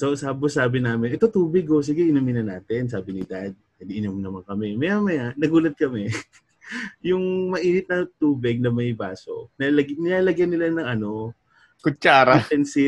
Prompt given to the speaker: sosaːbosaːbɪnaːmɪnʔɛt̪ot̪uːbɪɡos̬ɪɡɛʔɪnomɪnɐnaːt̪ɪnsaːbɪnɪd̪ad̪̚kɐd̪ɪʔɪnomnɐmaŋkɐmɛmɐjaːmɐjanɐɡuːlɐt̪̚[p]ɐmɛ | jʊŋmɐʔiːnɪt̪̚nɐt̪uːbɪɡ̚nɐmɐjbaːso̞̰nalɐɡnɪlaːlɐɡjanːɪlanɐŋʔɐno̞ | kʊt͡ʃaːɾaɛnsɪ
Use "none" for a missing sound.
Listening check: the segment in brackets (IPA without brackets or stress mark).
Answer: k